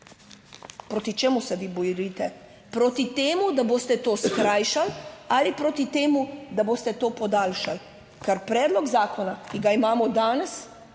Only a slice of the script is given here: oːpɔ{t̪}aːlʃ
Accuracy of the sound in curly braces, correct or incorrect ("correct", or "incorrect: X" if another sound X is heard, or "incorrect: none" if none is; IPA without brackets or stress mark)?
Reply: incorrect: d̪